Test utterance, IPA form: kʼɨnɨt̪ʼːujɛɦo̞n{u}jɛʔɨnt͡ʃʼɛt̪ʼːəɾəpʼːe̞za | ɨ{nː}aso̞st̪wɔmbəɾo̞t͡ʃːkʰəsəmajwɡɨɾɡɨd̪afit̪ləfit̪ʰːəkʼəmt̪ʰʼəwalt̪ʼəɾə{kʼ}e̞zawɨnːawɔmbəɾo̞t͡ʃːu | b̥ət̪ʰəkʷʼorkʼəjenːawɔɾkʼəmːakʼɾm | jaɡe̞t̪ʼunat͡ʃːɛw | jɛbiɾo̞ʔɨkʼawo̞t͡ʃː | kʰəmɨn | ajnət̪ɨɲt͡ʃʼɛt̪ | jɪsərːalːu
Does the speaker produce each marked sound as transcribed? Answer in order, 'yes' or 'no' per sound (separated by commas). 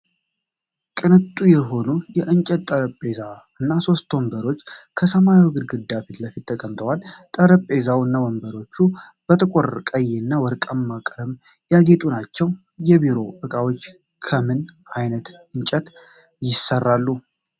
yes, yes, no